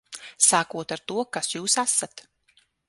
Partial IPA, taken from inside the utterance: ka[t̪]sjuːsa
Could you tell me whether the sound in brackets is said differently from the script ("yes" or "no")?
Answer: yes